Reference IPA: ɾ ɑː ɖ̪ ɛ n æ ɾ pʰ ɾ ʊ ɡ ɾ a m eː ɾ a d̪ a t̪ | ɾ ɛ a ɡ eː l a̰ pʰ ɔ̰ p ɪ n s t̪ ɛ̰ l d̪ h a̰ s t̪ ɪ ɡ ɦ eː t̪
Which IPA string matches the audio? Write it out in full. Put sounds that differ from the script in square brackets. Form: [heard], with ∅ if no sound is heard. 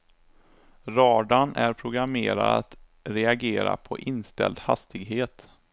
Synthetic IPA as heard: ɾ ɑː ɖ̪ [a] n æ ɾ pʰ ɾ ʊ ɡ ɾ a m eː ɾ a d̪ a t̪ | ɾ ɛ a ɡ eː [ɾ] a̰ pʰ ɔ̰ [ʔ] ɪ n s t̪ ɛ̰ l d̪ h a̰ s t̪ ɪ ɡ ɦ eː t̪